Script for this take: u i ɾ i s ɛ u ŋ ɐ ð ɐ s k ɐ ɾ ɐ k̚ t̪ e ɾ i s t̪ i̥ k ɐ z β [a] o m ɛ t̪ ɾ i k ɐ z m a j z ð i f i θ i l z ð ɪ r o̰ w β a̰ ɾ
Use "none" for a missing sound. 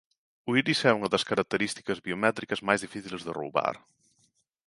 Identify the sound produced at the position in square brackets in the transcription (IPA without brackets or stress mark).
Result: i